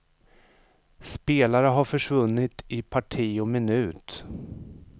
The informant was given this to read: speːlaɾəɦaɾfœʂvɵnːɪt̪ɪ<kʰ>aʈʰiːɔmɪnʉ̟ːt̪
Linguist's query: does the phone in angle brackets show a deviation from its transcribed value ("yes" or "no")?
yes